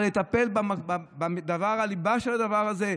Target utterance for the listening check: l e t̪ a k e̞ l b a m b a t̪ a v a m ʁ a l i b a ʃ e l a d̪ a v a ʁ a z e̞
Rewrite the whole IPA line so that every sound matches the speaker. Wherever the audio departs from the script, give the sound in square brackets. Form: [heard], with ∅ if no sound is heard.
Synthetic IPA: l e t̪ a [p] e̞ l b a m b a [d̪] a v a [∅] ʁ a l i b a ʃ e l a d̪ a v a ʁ a z e̞